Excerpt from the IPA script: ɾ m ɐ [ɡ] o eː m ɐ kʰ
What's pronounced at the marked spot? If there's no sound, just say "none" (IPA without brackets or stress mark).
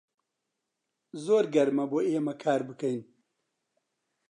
b